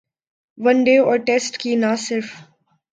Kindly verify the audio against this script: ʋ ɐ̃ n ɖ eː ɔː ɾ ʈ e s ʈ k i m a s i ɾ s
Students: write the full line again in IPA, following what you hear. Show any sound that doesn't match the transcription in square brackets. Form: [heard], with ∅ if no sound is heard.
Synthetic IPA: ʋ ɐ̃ n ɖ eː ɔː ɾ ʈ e s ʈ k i [n] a s [ɪ] ɾ [f]